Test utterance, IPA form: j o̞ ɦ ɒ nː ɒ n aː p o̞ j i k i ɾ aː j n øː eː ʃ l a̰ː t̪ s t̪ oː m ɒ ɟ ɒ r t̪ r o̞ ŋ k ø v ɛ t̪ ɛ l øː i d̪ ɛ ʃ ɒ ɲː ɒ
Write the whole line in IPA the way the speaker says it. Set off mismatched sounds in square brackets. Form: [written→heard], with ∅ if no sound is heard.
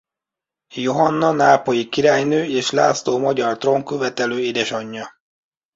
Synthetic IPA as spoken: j o̞ ɦ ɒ nː ɒ n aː p o̞ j i k i ɾ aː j n øː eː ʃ l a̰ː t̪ s t̪ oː m ɒ ɟ ɒ r t̪ r o̞ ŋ k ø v ɛ t̪ ɛ l øː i d̪ ɛ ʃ ɒ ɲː ɒ